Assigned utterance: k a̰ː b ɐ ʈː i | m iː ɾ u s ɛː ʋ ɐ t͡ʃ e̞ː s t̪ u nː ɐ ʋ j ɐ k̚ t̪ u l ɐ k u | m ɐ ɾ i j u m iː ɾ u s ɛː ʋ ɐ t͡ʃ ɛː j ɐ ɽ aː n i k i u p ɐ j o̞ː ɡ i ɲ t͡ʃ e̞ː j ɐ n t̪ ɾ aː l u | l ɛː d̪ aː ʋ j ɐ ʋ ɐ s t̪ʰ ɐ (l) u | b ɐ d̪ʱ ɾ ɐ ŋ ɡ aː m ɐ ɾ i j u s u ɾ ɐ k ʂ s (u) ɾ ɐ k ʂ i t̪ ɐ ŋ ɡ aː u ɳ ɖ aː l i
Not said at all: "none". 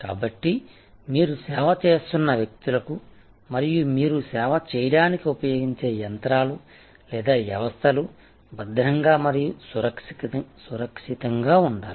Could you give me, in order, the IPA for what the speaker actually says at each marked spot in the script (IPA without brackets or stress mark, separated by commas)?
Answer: l, u